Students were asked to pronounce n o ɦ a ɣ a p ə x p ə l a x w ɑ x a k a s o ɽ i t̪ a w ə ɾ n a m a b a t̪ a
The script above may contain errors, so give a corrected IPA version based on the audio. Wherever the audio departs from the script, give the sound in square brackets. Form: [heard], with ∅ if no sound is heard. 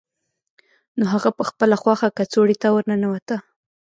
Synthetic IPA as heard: n o ɦ a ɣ a p ə x p ə l a x w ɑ x a k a [t͡s] o ɽ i t̪ a w ə ɾ n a [n] a [w] a t̪ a